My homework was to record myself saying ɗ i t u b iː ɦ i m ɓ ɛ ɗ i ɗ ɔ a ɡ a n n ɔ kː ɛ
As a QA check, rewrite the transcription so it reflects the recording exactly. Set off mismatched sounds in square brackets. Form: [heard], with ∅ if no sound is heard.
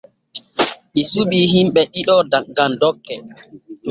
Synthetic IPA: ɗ i [s] u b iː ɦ i m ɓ ɛ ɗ i ɗ ɔ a ɡ a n [d] ɔ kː ɛ